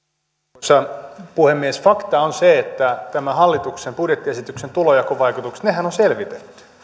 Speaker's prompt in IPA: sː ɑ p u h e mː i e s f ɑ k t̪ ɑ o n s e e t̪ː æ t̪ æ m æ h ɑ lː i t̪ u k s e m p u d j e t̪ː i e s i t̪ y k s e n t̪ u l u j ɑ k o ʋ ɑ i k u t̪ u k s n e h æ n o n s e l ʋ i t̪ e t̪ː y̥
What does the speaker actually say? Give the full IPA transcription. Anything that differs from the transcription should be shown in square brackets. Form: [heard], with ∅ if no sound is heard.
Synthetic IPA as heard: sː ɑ p u h e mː i e s f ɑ k t̪ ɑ o n s e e t̪ː æ t̪ æ m æ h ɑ lː i t̪ u k s e m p u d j e t̪ː i e s i t̪ y k s e n t̪ u l [o] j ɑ k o ʋ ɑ i k u t̪ u k s n e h æ n o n s e l ʋ i t̪ e t̪ː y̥